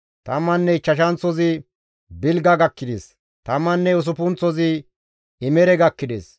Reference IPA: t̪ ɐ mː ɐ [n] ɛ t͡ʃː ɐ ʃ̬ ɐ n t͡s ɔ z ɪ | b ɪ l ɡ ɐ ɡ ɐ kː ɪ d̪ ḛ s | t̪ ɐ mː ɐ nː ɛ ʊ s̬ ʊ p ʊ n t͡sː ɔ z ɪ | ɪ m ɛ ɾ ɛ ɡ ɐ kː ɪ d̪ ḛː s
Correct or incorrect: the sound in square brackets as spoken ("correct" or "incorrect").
incorrect